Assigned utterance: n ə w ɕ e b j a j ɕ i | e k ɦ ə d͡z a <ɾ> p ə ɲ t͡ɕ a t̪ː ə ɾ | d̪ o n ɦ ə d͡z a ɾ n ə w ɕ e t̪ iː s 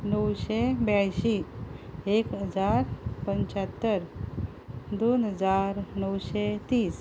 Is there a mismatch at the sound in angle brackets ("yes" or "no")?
no